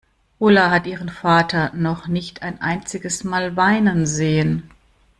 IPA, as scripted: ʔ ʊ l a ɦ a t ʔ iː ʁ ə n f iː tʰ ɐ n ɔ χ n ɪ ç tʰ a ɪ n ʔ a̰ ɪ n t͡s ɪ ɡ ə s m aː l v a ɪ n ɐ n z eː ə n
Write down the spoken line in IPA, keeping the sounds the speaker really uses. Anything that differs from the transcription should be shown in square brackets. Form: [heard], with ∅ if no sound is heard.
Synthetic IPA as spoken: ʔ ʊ l a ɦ a t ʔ iː ʁ ə n f [aː] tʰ ɐ n ɔ χ n ɪ ç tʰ a ɪ n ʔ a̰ ɪ n t͡s ɪ ɡ ə s m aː l v a ɪ n [ə] n z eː ə n